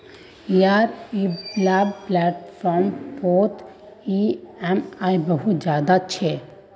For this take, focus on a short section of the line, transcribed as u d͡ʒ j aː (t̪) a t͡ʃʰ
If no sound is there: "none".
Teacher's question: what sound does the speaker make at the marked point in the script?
d̪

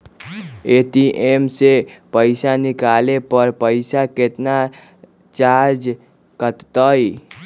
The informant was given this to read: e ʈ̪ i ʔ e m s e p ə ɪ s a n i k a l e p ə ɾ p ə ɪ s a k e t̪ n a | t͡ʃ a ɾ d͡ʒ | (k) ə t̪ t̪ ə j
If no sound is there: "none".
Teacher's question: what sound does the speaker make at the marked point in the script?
k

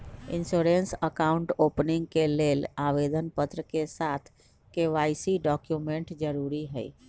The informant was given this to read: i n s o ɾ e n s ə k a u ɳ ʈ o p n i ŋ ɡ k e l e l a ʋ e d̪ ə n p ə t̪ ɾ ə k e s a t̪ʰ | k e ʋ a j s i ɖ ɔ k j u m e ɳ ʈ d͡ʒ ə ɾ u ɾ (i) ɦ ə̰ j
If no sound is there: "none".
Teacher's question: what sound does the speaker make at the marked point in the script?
i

